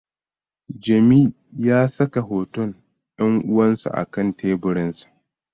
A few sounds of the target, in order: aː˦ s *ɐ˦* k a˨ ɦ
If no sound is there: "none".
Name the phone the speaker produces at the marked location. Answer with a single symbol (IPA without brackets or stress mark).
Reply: ɐ˦